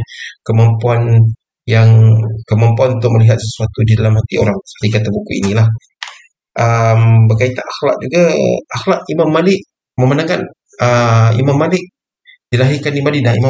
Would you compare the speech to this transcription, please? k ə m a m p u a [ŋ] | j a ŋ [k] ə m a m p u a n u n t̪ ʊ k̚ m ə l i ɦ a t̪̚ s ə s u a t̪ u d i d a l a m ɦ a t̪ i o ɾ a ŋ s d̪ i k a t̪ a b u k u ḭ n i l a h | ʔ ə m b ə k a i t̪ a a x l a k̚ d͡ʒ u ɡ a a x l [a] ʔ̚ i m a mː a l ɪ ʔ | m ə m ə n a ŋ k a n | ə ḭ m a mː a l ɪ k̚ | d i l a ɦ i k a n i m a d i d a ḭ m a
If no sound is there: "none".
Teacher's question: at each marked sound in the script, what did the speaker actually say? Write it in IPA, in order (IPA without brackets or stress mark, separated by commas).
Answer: n, k, a